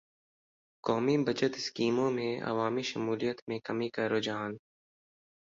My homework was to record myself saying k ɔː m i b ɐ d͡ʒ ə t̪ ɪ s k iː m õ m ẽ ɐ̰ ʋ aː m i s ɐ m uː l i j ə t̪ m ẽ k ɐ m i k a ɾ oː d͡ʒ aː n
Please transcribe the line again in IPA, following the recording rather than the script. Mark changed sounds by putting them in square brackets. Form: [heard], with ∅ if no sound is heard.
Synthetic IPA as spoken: k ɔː m i b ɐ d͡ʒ ə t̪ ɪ s k iː m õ m ẽ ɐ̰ ʋ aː m i [ʃ] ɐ m uː l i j ə t̪ m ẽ k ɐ m i k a ɾ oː d͡ʒ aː n